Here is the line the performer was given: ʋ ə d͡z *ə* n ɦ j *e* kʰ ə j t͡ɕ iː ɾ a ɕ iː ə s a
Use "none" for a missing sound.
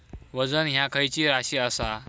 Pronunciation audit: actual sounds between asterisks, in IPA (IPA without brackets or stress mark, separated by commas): ə, a